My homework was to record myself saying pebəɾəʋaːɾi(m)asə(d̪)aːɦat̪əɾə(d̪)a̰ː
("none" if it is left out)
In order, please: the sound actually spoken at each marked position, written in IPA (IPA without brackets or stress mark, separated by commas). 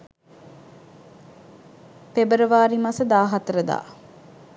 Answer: m, d̪, d̪